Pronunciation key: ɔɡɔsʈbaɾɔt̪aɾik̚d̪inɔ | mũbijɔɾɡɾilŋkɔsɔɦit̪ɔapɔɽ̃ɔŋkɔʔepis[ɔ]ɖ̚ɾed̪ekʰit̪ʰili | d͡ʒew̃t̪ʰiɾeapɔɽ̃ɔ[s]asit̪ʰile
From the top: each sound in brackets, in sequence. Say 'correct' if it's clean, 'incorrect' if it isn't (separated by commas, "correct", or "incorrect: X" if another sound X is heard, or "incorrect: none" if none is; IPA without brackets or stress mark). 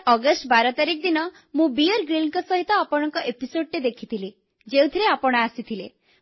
incorrect: o, incorrect: none